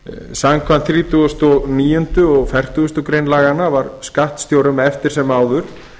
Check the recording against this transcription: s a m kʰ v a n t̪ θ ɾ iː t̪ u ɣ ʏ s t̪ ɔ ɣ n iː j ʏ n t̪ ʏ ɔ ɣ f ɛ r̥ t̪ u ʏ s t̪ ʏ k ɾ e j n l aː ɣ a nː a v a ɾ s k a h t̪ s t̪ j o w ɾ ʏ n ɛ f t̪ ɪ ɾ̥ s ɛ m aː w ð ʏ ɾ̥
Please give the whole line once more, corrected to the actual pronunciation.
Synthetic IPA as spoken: s a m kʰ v a n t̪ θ ɾ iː t̪ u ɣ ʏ s t̪ ɔ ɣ n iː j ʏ n t̪ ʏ ɔ ɣ f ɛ r̥ t̪ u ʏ s t̪ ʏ k ɾ e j n l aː ɣ a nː a v a ɾ s k a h t̪ s t̪ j o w ɾ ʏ m ɛ f t̪ ɪ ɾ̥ s ɛ m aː w ð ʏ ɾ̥